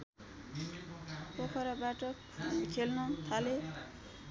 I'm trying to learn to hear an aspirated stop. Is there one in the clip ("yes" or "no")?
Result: yes